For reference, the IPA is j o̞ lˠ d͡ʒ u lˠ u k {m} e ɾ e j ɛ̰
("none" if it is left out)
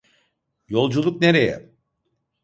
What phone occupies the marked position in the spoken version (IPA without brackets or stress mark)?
n